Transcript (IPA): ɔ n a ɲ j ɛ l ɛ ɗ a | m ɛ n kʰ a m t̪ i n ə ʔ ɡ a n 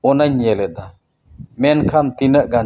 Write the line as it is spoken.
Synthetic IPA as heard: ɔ n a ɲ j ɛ l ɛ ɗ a | m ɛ n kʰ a m t̪ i n ə ʔ ɡ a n